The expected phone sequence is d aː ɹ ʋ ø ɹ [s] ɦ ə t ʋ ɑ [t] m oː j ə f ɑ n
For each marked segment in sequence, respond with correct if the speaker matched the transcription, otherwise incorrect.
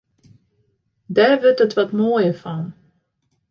incorrect: t, correct

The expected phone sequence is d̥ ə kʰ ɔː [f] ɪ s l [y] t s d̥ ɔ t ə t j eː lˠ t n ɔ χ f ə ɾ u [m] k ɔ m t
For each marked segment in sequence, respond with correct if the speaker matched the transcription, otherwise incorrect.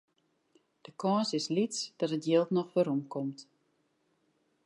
incorrect: s, incorrect: i, correct

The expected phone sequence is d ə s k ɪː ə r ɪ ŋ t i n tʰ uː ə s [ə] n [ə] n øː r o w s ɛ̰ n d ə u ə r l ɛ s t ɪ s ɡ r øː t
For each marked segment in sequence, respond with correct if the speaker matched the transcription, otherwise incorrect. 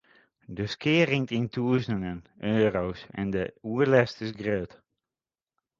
correct, correct

